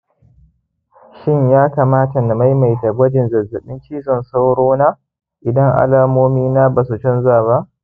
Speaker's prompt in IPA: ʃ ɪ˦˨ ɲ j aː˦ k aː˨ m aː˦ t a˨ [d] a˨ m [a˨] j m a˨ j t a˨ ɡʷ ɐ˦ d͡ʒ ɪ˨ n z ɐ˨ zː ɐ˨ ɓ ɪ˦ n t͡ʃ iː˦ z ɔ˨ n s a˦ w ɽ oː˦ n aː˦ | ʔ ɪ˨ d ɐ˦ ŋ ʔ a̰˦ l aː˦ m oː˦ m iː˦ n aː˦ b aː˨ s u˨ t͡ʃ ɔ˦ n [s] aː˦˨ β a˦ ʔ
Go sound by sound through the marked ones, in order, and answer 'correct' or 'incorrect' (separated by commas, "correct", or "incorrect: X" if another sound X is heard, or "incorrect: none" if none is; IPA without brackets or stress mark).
incorrect: n, incorrect: a˦, incorrect: z